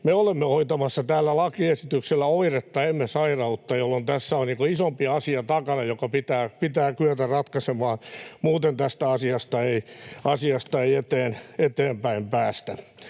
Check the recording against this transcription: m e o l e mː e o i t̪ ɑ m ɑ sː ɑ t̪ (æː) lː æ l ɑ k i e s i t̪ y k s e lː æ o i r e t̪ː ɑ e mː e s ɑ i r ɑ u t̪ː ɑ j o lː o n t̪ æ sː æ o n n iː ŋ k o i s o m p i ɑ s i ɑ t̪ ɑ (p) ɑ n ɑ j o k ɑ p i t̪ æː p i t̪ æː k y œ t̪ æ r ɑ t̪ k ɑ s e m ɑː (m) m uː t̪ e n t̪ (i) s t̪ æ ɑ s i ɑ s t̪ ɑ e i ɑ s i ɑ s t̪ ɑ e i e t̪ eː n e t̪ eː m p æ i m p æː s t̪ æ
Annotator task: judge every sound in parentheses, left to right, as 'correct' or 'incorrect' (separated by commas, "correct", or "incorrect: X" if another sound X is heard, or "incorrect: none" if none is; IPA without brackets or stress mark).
correct, incorrect: k, incorrect: n, incorrect: æ